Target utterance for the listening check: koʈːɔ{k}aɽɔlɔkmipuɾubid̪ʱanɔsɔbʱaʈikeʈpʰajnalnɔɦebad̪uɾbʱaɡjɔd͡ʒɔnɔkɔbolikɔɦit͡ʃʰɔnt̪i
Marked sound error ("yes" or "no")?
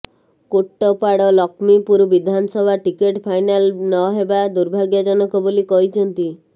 yes